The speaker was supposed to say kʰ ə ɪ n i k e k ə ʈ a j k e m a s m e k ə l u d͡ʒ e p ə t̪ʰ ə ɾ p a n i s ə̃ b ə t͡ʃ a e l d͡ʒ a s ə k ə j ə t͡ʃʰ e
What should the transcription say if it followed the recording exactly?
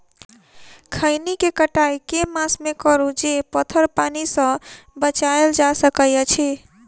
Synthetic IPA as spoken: kʰ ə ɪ n i k e k ə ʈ a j k e m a s m e k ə ɾ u d͡ʒ e p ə t̪ʰ ə ɾ p a n i s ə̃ b ə t͡ʃ a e l d͡ʒ a s ə k ə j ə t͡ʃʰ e